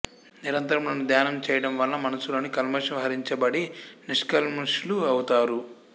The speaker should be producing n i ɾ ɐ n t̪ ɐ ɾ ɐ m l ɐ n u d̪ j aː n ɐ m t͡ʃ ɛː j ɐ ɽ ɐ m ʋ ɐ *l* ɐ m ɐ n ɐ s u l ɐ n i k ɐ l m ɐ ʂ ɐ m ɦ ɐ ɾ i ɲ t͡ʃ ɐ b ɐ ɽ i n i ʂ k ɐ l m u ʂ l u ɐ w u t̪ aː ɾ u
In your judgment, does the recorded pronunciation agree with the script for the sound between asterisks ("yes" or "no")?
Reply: no